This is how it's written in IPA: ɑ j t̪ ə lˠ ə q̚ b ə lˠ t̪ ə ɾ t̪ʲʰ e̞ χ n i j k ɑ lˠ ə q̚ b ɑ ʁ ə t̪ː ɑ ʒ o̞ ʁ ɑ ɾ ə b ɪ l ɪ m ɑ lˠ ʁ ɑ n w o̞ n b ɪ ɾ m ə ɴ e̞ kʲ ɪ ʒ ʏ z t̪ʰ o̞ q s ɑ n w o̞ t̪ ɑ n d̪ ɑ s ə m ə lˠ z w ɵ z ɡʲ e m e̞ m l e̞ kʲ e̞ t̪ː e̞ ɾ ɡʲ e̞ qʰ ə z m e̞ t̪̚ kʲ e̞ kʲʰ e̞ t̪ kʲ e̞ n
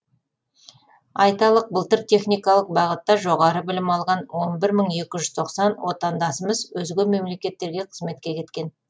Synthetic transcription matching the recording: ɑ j t̪ ɑ lˠ ə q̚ b ə lˠ t̪ ə ɾ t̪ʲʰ e̞ χ n i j k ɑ lˠ ə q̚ b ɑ ʁ ə t̪ː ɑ ʒ o̞ ʁ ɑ ɾ ə b ɪ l ɪ m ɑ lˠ ʁ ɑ n w o̞ n b ɪ ɾ m ə ɴ e̞ kʲ ɪ ʒ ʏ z t̪ʰ o̞ q s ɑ n w o̞ t̪ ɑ n d̪ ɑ s ə m ə z w ɵ z ɡʲ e m e̞ m l e̞ kʲ e̞ t̪ː e̞ ɾ ɡʲ e̞ qʰ ə z m e̞ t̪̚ kʲ e̞ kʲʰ e̞ t̪ kʲ e̞ n